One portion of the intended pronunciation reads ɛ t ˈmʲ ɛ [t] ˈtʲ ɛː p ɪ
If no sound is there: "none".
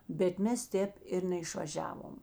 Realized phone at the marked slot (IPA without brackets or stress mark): s